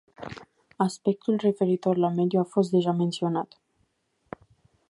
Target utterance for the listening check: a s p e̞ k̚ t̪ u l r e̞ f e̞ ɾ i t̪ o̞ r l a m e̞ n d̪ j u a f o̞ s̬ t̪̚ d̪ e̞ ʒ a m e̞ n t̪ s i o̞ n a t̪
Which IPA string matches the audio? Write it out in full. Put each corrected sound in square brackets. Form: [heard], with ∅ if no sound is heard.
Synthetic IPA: a s p e̞ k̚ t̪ u l r e̞ f e̞ ɾ i t̪ o̞ r l a m e̞ [∅] d̪ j u a f o̞ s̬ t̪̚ d̪ e̞ ʒ a m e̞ n t̪ s i o̞ n a t̪